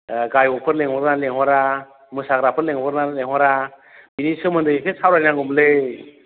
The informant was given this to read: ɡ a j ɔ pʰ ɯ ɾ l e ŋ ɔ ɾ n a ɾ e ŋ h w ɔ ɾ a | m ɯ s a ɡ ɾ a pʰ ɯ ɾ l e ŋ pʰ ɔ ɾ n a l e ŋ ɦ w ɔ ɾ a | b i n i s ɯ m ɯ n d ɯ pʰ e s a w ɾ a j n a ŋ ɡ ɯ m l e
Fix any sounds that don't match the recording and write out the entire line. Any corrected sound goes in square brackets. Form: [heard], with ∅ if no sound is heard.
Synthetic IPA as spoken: ɡ a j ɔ pʰ ɯ ɾ l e ŋ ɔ ɾ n a [l] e ŋ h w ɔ ɾ a | m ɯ s a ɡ ɾ a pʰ ɯ ɾ l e ŋ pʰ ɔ ɾ n a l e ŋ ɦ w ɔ ɾ a | b i n i s ɯ m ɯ n d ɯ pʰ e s a w ɾ a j n a ŋ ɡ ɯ m l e